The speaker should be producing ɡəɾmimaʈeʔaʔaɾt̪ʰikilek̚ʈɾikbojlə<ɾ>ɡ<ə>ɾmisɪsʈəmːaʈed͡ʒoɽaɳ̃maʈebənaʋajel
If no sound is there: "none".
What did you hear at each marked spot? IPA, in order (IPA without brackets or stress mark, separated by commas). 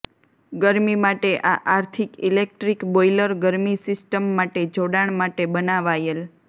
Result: ɾ, ə